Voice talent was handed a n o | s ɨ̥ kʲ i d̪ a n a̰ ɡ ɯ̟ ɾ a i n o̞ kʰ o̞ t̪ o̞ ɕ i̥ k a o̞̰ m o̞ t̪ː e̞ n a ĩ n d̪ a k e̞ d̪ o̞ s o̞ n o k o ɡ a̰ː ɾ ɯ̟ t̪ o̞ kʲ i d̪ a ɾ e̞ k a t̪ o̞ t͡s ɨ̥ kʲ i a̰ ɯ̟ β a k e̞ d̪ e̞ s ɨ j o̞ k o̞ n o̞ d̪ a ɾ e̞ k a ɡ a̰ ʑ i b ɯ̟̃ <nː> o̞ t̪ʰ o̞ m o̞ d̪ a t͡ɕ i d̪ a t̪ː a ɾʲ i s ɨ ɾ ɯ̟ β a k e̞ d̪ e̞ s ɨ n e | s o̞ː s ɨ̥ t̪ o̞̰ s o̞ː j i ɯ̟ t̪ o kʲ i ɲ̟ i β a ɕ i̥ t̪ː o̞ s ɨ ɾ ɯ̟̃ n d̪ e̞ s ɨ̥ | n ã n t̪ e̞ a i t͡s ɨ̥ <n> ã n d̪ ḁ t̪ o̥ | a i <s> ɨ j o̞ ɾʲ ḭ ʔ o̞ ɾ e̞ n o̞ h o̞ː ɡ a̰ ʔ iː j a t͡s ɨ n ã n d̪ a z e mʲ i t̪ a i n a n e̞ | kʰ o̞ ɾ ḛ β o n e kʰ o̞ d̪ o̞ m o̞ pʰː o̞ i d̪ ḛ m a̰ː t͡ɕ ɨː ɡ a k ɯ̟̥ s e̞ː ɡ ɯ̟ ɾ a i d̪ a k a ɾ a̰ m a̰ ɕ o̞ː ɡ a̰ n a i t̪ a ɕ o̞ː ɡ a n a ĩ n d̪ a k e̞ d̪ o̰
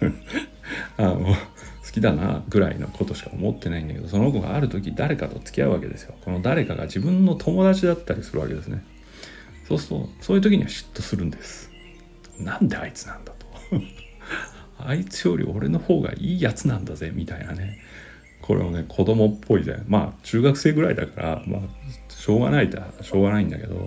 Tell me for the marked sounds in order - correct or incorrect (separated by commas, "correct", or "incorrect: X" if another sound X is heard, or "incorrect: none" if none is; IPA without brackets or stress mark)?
correct, correct, incorrect: t͡s